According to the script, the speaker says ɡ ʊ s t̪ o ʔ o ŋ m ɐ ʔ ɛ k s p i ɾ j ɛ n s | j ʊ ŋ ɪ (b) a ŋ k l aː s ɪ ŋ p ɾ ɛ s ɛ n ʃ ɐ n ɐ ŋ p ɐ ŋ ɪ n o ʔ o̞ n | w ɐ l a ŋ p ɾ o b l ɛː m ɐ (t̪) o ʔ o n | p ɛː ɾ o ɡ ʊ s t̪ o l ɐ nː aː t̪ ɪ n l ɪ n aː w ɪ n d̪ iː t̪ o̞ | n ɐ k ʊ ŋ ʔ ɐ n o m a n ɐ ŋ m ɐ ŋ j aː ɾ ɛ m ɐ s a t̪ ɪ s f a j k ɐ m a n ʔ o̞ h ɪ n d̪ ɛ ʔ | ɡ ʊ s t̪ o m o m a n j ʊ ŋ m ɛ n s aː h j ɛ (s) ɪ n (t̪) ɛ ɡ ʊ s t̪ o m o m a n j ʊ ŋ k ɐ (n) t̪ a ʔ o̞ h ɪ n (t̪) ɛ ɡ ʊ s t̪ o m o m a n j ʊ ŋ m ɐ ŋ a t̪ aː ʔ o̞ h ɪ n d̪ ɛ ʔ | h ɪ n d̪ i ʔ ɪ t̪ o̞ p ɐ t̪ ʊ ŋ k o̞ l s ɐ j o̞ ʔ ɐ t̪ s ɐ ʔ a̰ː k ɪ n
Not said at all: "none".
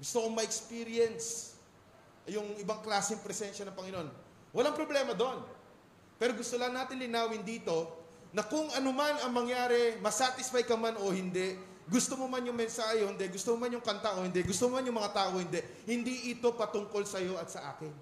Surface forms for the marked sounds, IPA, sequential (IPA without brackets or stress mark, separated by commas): b, d̪, h, d̪, n, d̪